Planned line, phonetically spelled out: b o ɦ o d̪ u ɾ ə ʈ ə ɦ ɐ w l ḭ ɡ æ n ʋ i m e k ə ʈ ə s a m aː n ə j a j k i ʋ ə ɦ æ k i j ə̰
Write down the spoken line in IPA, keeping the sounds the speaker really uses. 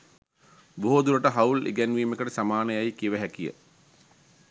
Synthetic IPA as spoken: b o ɦ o d̪ u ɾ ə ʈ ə ɦ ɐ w l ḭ ɡ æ n ʋ iː m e k ə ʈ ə s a m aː n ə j a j k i ʋ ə ɦ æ k i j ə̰